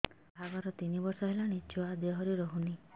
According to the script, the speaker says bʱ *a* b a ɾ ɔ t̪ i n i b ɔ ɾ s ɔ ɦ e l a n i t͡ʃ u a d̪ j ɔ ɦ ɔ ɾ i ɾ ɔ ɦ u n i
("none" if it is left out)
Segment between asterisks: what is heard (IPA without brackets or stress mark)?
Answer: a